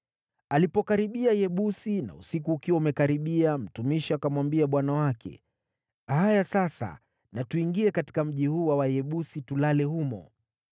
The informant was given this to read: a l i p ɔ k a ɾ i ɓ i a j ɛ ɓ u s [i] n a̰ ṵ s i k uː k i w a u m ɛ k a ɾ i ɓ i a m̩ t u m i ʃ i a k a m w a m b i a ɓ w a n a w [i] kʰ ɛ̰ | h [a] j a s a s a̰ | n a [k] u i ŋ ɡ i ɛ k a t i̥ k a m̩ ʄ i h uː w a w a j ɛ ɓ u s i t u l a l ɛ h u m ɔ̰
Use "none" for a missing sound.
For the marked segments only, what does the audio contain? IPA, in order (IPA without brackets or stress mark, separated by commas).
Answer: i, a, a, t